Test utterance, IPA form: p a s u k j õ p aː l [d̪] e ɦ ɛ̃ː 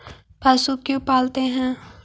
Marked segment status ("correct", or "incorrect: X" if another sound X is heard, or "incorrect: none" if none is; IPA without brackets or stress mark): incorrect: t̪